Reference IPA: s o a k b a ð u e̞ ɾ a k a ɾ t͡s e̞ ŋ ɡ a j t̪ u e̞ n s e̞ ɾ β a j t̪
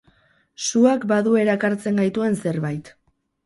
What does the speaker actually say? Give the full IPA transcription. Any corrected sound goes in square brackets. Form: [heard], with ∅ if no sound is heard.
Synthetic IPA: s [u] a k b a ð u e̞ ɾ a k a ɾ t͡s e̞ ŋ ɡ a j t̪ u e̞ n s e̞ ɾ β a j t̪